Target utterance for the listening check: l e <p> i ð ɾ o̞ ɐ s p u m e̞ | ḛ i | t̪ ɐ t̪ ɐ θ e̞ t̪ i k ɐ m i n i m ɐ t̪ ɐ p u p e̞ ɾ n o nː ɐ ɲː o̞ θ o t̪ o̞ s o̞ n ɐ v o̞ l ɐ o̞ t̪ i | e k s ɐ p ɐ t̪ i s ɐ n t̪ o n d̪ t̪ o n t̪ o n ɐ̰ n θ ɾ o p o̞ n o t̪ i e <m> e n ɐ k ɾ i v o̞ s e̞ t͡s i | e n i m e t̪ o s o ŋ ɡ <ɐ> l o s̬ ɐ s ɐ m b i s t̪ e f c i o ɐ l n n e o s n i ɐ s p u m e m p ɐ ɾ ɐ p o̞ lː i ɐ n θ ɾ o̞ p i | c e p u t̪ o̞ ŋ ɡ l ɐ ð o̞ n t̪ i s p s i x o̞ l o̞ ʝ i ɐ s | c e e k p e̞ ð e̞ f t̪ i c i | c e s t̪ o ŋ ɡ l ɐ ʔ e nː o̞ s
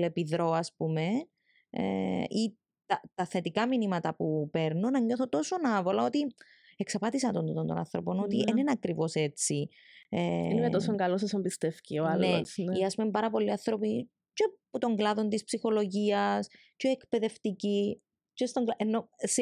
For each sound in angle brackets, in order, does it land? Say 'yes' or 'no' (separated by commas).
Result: yes, no, yes